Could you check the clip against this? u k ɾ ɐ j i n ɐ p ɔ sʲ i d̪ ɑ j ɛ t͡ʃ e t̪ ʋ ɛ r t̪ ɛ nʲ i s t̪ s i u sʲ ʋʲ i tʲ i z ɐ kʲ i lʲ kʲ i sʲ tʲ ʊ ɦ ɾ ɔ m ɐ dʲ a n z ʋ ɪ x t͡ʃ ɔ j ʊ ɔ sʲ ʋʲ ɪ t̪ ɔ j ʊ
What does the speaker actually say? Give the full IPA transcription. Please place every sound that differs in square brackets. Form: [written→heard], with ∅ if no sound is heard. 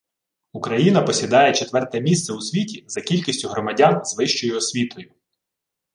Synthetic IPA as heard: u k ɾ ɐ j i n ɐ p ɔ sʲ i d̪ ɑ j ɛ t͡ʃ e t̪ ʋ ɛ r t̪ ɛ [nʲ→mʲ] i s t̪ s [i→ɛ] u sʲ ʋʲ i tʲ i z ɐ kʲ i lʲ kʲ i sʲ tʲ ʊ ɦ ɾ ɔ m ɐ dʲ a n z ʋ ɪ [x→ʃ] t͡ʃ ɔ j ʊ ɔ sʲ ʋʲ [ɪ→i] t̪ ɔ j ʊ